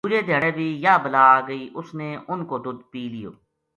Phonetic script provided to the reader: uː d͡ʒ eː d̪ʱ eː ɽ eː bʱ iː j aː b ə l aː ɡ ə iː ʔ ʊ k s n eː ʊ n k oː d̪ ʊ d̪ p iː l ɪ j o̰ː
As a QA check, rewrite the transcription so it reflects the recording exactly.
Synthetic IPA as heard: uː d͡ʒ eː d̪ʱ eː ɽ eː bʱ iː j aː b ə l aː ɡ ə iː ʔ ʊ s n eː ʊ n k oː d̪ ʊ d̪ p iː l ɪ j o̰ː